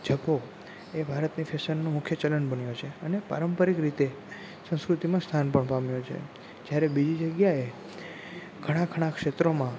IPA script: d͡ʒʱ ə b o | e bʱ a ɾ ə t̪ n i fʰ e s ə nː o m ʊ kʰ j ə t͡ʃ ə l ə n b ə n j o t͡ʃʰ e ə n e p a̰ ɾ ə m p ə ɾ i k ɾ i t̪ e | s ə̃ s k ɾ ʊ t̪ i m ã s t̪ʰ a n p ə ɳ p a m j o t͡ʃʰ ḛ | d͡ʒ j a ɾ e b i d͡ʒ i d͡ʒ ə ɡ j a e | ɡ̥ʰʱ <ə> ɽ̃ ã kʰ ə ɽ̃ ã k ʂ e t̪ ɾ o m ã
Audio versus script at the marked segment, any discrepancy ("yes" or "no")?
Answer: no